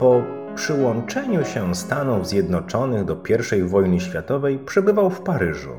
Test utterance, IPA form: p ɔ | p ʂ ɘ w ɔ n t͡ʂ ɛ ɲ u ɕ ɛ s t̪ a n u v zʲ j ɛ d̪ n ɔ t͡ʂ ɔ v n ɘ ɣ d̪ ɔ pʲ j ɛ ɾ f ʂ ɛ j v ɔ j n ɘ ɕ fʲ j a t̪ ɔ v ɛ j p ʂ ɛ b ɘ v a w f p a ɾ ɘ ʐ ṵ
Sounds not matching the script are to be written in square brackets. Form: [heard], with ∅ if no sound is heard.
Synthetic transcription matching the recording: p ɔ | p ʂ ɘ w ɔ n t͡ʂ ɛ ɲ u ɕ ɛ s t̪ a n u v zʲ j ɛ d̪ n ɔ t͡ʂ ɔ [∅] n ɘ ɣ d̪ ɔ pʲ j ɛ ɾ f ʂ ɛ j v ɔ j n ɘ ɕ fʲ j a t̪ ɔ v ɛ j p ʂ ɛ b ɘ v a w f p a ɾ ɘ ʐ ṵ